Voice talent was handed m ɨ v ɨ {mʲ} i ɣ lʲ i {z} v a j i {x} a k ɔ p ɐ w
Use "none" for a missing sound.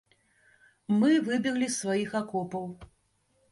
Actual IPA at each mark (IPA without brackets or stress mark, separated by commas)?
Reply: bʲ, s, x